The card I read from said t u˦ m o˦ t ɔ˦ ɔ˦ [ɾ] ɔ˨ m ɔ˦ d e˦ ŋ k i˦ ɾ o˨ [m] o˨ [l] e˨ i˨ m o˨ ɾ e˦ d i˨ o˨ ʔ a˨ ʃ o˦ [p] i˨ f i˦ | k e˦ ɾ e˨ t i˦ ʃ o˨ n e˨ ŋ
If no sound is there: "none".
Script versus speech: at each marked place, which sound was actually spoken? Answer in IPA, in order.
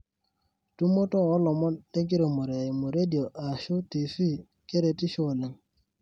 l, m, ɾ, t

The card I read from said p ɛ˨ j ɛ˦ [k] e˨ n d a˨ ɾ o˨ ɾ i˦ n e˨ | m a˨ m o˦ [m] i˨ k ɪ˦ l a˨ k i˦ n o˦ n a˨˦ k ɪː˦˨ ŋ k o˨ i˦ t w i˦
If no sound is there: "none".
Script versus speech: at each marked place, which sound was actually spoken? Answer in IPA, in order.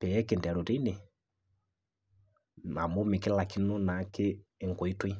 k, m

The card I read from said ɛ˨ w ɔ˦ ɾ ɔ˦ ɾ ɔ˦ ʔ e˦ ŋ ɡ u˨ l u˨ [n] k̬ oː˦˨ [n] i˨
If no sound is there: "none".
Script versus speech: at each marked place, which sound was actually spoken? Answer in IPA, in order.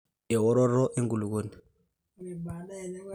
none, n

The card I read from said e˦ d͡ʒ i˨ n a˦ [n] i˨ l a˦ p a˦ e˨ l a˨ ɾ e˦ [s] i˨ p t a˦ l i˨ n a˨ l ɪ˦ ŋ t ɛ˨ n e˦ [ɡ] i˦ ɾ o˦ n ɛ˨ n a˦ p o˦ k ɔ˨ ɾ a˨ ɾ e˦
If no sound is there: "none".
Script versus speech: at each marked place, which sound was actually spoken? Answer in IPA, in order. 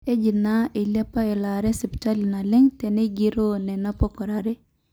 none, s, ɡ

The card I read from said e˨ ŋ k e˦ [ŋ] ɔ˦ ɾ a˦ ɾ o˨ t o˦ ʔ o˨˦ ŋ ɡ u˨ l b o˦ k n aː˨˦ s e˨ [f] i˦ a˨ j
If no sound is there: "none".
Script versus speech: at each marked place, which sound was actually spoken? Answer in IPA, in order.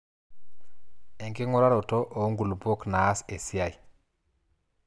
ŋ, s

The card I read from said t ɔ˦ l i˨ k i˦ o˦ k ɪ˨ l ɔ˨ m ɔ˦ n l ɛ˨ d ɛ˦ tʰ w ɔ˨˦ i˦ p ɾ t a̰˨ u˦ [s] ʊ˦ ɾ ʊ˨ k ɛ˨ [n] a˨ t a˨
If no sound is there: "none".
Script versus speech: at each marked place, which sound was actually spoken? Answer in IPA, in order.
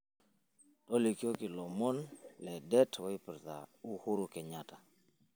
h, ɲ

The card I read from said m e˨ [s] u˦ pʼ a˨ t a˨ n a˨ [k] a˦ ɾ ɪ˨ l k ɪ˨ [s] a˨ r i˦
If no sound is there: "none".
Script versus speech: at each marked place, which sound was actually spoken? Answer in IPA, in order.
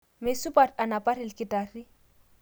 s, p, t

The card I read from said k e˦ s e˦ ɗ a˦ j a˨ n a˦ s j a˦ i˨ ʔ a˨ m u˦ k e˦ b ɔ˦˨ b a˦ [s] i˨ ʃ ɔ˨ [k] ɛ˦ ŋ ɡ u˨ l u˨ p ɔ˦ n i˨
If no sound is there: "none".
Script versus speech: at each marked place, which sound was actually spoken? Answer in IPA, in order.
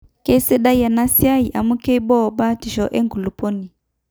t, ʔ

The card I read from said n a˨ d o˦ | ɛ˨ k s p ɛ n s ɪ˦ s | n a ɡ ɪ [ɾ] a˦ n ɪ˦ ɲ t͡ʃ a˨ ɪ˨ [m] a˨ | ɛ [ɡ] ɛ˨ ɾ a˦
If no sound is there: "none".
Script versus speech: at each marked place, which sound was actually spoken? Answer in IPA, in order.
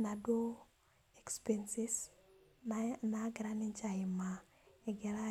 ɾ, m, ɡ

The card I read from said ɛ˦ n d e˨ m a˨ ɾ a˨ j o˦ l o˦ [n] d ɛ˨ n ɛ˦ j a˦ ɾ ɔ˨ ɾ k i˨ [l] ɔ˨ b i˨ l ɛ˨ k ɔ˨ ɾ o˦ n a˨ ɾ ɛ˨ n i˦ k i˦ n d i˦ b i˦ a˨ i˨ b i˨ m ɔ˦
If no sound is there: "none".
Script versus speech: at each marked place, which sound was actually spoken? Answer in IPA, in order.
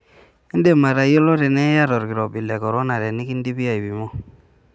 none, ɾ

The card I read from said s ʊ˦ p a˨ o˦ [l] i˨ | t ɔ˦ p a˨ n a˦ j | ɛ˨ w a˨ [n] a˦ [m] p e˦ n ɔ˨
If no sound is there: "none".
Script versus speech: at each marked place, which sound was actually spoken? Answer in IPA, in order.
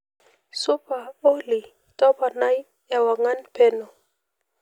l, ŋ, n

